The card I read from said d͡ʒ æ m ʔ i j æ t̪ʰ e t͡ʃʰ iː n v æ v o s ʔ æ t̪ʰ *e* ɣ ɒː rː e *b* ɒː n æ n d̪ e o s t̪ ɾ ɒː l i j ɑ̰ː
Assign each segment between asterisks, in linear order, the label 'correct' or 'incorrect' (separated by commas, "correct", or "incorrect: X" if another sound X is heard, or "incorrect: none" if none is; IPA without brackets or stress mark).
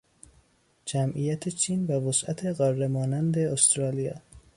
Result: correct, incorrect: m